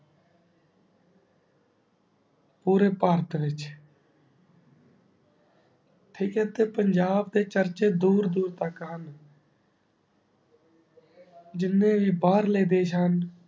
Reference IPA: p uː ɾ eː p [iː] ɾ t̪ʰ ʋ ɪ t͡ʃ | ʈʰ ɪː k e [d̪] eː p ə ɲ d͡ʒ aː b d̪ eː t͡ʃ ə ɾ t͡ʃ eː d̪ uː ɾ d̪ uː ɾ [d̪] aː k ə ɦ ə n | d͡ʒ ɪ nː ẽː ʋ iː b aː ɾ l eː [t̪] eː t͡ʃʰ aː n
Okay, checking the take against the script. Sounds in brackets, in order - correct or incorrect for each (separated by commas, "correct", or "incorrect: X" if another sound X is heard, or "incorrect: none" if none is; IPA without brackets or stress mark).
incorrect: aː, incorrect: t̪, incorrect: t̪, incorrect: d̪